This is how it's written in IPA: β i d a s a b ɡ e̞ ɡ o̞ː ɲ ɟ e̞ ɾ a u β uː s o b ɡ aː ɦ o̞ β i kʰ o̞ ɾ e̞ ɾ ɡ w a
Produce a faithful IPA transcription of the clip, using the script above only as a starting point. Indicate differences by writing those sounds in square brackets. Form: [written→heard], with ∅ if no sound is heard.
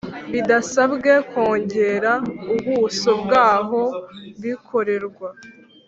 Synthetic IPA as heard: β i d a s a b ɡ e̞ [ɡ→k] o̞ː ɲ ɟ e̞ ɾ a u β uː s o b ɡ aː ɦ o̞ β i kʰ o̞ ɾ e̞ ɾ ɡ w a